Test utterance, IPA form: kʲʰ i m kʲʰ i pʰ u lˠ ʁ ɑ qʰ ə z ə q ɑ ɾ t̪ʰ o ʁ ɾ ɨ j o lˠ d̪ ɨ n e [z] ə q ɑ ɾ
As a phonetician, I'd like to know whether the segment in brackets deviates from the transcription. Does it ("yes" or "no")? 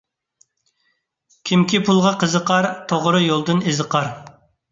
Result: no